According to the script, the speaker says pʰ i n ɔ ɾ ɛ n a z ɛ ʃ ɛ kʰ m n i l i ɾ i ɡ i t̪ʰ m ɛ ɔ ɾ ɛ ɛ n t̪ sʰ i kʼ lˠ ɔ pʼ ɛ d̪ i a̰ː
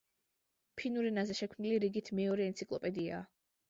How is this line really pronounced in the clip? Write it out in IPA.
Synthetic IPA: pʰ i n u ɾ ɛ n a z ɛ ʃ ɛ kʰ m n i l i ɾ i ɡ i t̪ʰ m ɛ ɔ ɾ ɛ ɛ n t̪ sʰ i kʼ lˠ ɔ pʼ ɛ d̪ i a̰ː